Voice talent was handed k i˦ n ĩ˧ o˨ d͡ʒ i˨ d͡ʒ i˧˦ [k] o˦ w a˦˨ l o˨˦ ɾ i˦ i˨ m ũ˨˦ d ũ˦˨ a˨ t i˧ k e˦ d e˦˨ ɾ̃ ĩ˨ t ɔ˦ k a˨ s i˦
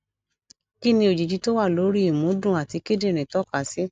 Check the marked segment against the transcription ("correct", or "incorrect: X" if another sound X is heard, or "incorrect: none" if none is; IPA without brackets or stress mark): incorrect: t